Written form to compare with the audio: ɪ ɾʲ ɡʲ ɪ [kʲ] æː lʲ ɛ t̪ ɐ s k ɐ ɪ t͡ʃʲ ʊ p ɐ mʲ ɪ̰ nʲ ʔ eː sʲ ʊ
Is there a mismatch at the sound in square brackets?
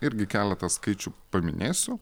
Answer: no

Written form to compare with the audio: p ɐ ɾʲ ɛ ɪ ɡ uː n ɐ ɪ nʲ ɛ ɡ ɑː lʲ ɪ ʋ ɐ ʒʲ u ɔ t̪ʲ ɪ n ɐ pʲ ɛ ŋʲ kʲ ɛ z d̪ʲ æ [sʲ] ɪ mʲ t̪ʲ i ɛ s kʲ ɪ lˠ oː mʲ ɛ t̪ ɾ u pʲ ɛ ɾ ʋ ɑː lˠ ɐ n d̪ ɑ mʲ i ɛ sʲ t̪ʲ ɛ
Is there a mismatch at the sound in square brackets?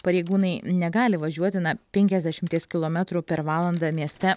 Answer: yes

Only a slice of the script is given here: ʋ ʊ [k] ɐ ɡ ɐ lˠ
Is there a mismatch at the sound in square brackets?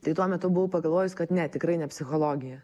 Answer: yes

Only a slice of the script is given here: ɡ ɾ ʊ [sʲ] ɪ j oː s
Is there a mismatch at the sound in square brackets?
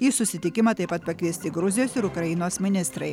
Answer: yes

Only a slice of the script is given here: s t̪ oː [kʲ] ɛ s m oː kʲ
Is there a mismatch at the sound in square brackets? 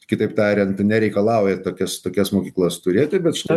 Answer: no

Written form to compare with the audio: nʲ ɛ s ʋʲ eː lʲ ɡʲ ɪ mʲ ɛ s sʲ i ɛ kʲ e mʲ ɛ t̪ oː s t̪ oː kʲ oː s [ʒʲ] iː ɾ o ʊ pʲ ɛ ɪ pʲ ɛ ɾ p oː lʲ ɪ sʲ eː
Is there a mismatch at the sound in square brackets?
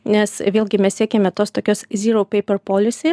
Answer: yes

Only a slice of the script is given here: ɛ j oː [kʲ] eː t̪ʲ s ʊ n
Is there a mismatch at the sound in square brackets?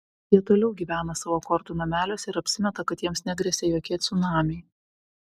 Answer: no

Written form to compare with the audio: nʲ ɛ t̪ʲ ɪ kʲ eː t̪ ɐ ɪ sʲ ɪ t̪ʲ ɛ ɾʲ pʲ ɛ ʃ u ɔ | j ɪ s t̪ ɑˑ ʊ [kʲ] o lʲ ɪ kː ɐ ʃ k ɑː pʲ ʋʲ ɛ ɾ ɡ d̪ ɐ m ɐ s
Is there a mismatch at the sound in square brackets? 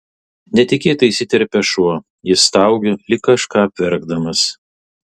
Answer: yes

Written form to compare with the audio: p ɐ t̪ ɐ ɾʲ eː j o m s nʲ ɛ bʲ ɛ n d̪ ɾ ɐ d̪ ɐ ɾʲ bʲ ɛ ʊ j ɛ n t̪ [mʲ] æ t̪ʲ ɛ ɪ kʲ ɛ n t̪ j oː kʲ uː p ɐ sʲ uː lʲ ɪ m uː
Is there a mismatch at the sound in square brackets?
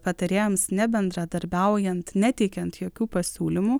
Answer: yes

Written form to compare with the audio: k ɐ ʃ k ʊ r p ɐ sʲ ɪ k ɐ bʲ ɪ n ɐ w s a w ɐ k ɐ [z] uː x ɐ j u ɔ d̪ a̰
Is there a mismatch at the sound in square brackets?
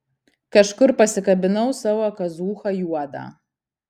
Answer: no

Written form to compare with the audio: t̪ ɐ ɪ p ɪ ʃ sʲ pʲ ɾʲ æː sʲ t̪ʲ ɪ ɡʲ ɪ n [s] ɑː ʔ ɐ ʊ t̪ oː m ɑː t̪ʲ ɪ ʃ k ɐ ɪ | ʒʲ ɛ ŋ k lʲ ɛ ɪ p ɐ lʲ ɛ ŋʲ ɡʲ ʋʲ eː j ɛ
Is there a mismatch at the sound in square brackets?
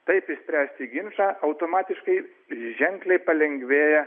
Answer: yes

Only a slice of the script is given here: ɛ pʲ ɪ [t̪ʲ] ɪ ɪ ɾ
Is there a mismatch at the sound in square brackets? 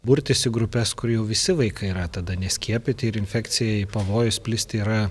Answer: no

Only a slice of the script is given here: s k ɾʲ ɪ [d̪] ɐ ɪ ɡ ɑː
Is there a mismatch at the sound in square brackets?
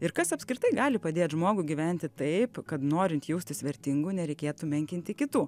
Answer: yes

